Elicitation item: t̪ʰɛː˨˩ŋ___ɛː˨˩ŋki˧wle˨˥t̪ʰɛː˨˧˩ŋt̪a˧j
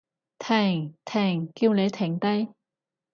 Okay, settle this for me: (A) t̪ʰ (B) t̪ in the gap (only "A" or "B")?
A